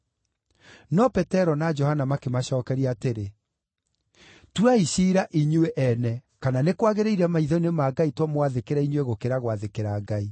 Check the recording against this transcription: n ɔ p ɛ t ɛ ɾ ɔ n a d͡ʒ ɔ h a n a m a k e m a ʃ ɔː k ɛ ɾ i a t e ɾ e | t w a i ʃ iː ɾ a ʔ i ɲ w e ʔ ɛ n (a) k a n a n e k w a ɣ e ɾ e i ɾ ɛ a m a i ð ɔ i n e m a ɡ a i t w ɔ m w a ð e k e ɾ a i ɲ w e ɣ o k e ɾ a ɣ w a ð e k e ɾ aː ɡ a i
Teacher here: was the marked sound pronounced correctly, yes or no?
no